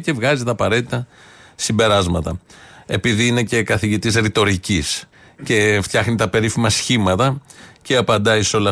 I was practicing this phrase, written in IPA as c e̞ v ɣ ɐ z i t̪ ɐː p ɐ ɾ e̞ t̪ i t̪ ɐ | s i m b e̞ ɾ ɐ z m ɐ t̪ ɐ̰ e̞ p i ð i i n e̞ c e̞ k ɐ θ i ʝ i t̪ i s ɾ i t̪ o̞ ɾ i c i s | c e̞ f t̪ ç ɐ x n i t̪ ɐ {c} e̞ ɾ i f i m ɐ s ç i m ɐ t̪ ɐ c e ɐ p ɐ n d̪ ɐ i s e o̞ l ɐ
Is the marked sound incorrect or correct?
incorrect